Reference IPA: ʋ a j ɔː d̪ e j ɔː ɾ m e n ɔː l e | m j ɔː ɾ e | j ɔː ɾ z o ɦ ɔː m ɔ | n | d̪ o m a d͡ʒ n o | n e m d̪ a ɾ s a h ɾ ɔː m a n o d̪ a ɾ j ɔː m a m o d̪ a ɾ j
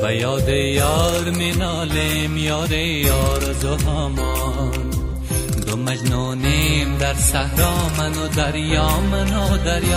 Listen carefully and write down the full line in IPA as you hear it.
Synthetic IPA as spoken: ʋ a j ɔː d̪ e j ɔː ɾ m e n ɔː l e | m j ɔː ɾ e | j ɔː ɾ z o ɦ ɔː m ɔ | n | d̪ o m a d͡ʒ n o | n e m d̪ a ɾ s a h ɾ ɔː m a n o d̪ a ɾ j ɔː m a n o d̪ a ɾ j